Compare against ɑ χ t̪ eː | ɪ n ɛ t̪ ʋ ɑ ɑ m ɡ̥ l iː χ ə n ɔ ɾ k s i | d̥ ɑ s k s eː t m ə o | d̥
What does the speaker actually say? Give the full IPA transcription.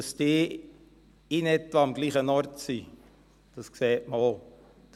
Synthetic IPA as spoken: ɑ s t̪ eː | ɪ n ɛ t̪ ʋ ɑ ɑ m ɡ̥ l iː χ ə n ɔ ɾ t s i | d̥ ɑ s k s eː t m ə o | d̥